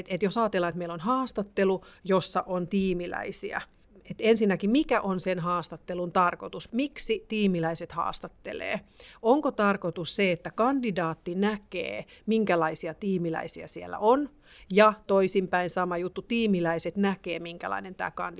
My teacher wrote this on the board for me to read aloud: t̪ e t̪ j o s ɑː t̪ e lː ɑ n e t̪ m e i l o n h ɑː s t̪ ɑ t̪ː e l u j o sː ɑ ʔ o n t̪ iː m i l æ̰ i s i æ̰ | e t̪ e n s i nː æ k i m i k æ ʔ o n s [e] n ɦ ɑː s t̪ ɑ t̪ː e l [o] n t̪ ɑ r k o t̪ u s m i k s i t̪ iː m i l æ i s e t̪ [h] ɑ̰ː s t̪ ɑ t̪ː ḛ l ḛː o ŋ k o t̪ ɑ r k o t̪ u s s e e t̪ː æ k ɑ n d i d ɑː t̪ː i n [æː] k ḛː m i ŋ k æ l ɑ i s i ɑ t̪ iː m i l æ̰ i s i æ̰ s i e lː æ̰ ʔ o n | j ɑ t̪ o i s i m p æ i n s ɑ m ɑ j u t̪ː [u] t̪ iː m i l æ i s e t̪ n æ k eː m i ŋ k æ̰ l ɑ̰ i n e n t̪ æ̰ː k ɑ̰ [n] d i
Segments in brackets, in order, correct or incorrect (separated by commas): correct, incorrect, correct, incorrect, correct, correct